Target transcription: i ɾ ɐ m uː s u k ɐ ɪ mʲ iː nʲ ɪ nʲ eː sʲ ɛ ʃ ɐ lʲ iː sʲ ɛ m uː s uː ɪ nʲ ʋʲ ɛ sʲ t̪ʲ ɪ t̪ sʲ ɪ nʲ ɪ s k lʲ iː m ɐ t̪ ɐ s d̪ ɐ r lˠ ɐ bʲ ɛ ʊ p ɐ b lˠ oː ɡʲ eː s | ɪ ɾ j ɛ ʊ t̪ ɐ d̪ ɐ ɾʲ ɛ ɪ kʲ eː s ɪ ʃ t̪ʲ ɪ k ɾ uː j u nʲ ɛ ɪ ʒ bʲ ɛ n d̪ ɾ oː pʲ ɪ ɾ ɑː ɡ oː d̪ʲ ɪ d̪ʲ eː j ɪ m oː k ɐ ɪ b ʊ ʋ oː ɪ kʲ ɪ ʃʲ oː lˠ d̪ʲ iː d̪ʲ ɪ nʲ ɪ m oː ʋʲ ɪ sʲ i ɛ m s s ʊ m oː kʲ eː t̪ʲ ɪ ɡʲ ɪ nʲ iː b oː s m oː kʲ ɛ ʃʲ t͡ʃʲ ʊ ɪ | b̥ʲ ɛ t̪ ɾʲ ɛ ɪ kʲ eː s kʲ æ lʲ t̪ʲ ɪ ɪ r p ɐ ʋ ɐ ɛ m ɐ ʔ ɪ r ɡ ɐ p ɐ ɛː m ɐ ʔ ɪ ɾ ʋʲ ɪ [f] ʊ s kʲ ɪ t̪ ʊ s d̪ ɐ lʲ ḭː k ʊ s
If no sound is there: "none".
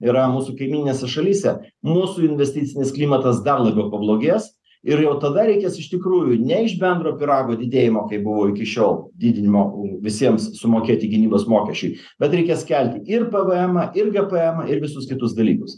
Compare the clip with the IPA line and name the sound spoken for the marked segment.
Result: s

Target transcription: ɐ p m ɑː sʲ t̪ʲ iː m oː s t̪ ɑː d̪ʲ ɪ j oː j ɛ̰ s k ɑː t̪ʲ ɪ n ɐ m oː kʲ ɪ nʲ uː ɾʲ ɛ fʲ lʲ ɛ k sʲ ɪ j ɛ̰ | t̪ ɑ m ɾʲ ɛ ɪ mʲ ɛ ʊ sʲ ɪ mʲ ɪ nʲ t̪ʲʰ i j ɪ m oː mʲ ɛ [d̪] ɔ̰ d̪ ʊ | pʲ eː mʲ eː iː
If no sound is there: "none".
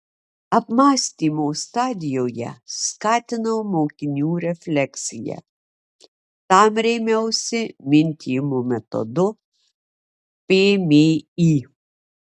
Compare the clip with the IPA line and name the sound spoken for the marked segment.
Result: t̪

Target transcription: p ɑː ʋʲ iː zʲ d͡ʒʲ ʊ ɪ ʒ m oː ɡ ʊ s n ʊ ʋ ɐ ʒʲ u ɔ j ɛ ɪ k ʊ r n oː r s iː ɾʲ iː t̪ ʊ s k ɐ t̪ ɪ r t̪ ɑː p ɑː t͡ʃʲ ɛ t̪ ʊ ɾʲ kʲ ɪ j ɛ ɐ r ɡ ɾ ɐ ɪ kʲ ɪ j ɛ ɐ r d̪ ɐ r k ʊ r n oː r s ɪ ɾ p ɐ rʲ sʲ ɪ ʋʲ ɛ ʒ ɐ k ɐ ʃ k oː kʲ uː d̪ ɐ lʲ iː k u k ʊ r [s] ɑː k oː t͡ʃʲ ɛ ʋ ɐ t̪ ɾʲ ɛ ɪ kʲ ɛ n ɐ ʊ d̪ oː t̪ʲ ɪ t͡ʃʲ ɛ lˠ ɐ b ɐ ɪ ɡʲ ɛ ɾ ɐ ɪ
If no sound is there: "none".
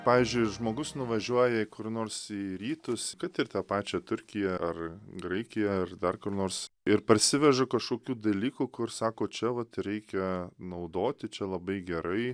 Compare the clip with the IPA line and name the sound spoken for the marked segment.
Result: s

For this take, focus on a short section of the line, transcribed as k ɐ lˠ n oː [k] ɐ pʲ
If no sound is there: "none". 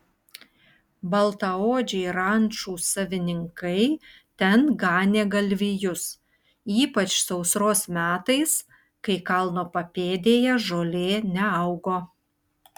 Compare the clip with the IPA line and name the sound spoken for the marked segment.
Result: p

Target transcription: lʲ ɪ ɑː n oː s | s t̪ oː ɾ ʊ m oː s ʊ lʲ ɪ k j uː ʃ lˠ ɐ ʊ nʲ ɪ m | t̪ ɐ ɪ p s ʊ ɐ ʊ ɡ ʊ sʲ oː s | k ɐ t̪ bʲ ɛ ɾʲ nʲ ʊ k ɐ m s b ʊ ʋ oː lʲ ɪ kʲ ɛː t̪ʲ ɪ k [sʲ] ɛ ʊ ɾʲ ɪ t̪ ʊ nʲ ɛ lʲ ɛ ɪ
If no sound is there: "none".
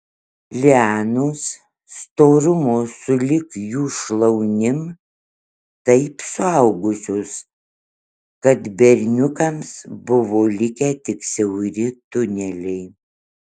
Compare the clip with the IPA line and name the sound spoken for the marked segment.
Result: sʲ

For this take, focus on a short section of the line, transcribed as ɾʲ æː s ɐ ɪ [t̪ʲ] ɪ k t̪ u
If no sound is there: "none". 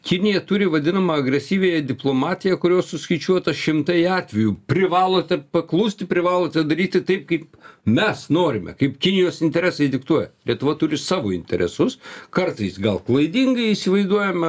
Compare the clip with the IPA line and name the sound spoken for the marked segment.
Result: d̪ʲ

